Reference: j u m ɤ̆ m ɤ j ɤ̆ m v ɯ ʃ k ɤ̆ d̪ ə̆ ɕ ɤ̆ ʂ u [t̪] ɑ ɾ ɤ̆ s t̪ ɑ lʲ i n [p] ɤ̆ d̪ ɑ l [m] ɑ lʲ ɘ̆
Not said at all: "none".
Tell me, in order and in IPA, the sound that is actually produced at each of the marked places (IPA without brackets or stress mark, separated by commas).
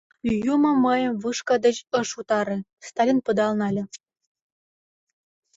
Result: t̪, p, n